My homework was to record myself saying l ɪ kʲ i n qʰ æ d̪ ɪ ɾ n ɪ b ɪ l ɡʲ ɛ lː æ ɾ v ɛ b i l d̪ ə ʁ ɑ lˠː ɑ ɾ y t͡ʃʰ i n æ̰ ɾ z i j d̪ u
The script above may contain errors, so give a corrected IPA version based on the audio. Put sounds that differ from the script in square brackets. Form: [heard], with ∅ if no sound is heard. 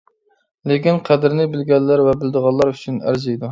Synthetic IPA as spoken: l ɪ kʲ i n qʰ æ d̪ ɪ ɾ n ɪ b ɪ l ɡʲ ɛ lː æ ɾ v ɛ b [ɪ] l d̪ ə ʁ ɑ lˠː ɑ ɾ y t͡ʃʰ [y] n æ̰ ɾ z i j d̪ u

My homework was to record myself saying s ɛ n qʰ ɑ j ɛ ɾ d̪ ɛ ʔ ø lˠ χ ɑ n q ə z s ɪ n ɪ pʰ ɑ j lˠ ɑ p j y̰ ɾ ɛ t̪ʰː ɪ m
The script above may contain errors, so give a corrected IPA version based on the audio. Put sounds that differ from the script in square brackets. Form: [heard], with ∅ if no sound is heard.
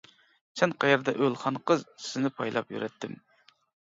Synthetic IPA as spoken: s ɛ n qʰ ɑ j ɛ ɾ d̪ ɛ ʔ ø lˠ χ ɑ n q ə z s ɪ n ɪ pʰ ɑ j lˠ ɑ p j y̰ ɾ ɛ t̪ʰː ɪ m

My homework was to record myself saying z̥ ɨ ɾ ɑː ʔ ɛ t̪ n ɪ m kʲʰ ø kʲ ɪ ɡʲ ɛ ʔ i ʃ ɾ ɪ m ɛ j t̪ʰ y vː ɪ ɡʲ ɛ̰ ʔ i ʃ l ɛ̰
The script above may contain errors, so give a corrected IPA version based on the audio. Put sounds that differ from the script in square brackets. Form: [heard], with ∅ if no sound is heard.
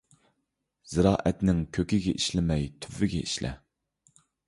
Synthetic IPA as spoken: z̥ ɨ ɾ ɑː ʔ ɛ t̪ n ɪ [ŋ] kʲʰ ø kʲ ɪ ɡʲ ɛ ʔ i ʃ [l] ɪ m ɛ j t̪ʰ y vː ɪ ɡʲ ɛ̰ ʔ i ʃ l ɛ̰

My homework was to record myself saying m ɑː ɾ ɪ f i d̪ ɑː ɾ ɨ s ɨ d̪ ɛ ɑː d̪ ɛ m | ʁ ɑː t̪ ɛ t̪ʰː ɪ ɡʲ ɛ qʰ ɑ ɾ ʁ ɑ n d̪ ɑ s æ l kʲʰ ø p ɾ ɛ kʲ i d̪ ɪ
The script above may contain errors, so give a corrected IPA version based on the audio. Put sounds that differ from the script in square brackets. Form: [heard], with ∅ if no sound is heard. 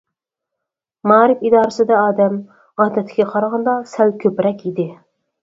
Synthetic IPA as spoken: m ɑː ɾ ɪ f i d̪ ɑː ɾ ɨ s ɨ d̪ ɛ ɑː d̪ ɛ m | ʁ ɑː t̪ ɛ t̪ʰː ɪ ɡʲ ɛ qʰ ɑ ɾ ʁ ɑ n d̪ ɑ s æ l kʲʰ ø p ɾ ɛ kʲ i d̪ ɪ

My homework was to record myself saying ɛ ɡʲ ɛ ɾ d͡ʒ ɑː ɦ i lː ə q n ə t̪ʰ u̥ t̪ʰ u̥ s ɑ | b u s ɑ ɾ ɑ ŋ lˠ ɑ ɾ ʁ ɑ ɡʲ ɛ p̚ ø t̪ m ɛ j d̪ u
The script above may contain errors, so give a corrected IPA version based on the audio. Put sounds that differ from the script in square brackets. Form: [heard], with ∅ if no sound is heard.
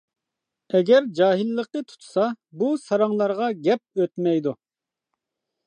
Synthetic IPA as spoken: ɛ ɡʲ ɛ ɾ d͡ʒ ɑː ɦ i lː ə q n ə t̪ʰ u̥ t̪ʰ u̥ s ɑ | b u s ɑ ɾ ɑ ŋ lˠ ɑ ɾ ʁ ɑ ɡʲ ɛ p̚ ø t̪ m ɛ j d̪ u

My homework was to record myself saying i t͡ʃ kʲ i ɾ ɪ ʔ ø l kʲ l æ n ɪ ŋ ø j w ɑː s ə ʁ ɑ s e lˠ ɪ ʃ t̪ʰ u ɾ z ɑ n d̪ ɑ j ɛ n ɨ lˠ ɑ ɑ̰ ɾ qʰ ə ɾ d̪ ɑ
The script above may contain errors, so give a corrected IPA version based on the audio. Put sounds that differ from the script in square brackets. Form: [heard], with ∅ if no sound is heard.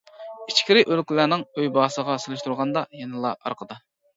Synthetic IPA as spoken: i t͡ʃ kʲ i ɾ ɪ ʔ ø l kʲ l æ n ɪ ŋ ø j [b] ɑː s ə ʁ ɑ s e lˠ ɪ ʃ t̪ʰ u ɾ [ʁ] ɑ n d̪ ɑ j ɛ n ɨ lˠ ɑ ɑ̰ ɾ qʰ ə [∅] d̪ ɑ

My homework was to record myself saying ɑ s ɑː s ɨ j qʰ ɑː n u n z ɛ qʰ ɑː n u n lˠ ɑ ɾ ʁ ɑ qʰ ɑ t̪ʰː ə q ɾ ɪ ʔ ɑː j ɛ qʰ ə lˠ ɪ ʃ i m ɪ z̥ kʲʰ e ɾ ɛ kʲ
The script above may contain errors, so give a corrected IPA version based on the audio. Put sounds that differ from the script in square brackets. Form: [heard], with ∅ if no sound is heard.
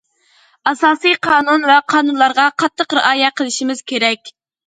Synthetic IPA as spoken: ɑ s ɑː s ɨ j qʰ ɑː n u n [v] ɛ qʰ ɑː n u n lˠ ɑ ɾ ʁ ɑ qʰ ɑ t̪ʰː ə q ɾ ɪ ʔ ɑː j ɛ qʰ ə lˠ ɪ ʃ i m ɪ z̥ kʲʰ e ɾ ɛ kʲ

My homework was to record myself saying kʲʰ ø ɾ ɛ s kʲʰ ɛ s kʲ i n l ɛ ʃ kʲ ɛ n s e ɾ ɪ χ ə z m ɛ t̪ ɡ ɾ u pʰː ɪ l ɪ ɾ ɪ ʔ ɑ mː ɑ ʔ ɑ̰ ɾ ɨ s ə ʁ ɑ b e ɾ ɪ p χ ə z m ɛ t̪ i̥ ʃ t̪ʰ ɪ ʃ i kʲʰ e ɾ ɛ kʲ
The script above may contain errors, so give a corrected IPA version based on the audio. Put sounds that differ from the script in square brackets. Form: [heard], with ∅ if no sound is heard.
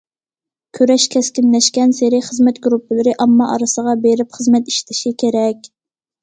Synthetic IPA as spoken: kʲʰ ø ɾ ɛ [ʃ] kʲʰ ɛ s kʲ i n l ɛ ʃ kʲ ɛ n s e ɾ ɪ χ ə z m ɛ t̪ ɡ ɾ u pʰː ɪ l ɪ ɾ ɪ ʔ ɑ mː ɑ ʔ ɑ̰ ɾ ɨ s ə ʁ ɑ b e ɾ ɪ p χ ə z m ɛ t̪ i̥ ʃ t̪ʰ ɪ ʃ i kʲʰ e ɾ ɛ kʲ

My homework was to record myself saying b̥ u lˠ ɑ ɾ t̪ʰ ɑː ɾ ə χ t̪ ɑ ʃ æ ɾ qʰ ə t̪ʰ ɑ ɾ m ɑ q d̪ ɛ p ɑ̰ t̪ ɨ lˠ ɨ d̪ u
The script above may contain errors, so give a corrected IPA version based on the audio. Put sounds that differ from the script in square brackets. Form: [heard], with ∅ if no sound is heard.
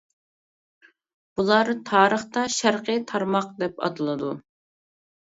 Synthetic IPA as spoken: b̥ u lˠ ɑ ɾ t̪ʰ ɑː ɾ ə χ t̪ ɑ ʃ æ ɾ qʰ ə t̪ʰ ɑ ɾ m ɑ q d̪ ɛ p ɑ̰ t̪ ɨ lˠ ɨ d̪ u

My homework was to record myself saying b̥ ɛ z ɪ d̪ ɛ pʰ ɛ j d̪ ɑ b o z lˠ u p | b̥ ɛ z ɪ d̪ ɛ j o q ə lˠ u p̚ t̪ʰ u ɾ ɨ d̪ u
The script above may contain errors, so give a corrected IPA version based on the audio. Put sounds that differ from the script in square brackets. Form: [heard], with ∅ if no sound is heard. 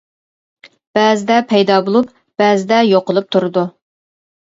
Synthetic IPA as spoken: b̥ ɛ z ɪ d̪ ɛ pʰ ɛ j d̪ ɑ b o [∅] lˠ u p | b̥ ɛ z ɪ d̪ ɛ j o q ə lˠ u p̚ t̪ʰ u ɾ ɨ d̪ u

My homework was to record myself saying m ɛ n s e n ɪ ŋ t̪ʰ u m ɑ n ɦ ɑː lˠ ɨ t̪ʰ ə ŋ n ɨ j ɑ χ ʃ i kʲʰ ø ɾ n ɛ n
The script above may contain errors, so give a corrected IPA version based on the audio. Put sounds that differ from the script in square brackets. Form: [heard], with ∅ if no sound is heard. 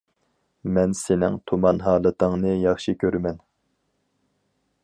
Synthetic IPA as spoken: m ɛ n s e n ɪ ŋ t̪ʰ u m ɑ n ɦ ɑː lˠ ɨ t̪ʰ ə ŋ n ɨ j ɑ χ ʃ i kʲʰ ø ɾ [m] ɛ n

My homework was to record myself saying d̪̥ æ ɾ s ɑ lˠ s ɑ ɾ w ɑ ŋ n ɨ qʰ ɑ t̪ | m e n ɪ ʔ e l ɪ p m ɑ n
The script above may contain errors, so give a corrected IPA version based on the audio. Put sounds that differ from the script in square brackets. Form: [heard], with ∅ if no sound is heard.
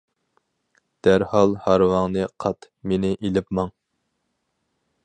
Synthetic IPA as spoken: d̪̥ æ ɾ [h] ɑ lˠ [h] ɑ ɾ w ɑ ŋ n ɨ qʰ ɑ t̪ | m e n ɪ ʔ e l ɪ p m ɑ [ŋ]

